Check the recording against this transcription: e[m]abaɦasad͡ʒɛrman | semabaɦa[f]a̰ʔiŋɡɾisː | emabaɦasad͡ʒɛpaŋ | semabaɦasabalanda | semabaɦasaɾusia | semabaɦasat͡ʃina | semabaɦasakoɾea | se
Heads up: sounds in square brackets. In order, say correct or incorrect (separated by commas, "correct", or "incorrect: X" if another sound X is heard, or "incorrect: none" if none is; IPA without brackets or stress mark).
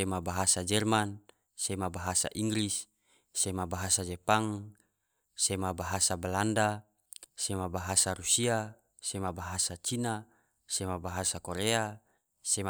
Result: correct, incorrect: s